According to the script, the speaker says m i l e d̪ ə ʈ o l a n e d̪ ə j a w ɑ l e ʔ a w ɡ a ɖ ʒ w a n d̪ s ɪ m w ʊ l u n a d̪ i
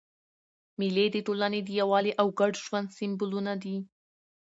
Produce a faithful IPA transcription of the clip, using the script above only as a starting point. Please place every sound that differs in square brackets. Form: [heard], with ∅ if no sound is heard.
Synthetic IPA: m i l e d̪ ə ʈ o l a n e d̪ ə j a w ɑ l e ʔ a w ɡ a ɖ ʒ w a n d̪ s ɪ m [b] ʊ l u n a d̪ i